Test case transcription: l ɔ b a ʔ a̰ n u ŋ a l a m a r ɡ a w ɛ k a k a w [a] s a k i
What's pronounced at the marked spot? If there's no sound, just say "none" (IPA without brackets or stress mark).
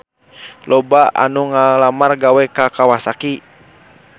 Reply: a